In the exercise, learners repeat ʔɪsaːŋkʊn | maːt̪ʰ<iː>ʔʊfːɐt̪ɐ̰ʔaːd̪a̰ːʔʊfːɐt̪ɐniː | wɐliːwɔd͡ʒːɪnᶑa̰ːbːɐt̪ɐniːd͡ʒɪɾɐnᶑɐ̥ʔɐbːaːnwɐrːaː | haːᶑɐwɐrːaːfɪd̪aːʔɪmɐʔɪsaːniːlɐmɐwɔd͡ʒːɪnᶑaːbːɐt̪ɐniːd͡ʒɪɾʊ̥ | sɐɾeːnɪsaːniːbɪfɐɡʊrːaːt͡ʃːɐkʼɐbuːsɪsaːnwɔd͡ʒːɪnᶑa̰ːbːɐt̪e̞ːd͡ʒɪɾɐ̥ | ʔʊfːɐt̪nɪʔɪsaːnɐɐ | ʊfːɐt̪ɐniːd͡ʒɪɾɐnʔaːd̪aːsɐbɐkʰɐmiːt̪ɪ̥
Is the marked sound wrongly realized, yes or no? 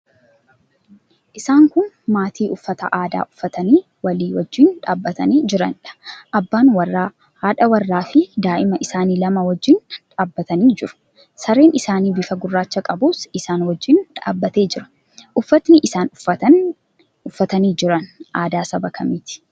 no